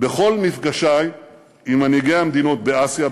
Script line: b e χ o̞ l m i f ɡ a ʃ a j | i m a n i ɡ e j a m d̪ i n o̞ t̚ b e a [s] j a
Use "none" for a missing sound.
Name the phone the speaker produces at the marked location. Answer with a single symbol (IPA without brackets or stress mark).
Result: s